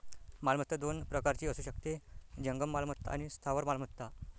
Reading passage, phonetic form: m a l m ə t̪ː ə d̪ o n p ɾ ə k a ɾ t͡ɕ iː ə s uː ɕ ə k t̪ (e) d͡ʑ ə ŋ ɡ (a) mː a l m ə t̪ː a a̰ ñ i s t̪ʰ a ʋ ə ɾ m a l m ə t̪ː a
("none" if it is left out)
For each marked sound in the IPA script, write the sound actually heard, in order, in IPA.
e, ə

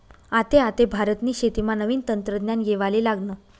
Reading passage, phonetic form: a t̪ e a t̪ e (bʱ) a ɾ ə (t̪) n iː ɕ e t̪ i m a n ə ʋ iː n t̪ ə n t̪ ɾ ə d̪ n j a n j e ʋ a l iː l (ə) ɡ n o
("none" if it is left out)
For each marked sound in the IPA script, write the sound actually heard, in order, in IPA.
bʱ, t̪, a

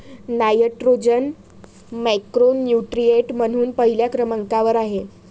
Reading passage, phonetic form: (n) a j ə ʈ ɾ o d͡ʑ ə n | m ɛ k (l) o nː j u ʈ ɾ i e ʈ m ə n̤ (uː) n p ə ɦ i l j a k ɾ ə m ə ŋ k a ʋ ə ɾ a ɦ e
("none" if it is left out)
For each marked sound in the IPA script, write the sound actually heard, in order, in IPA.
n, ɾ, uː

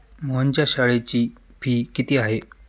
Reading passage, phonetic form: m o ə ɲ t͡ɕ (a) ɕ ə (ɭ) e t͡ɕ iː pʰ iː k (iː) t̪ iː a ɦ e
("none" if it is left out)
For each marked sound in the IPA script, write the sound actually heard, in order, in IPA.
a, ɭ, i

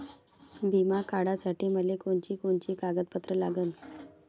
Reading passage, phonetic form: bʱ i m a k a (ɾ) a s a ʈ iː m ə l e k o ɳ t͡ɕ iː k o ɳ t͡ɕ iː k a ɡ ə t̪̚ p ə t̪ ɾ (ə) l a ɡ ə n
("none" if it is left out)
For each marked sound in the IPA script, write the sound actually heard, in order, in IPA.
ɽ, ə

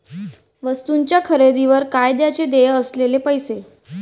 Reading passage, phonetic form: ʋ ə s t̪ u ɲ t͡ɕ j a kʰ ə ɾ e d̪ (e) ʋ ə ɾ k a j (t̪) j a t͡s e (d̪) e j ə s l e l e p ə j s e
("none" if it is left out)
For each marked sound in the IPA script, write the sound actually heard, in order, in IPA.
i, d̪, d̪

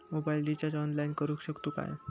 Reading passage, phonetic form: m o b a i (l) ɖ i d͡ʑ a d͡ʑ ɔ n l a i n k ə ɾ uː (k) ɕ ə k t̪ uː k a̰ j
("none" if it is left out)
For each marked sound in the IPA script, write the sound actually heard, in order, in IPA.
l, k

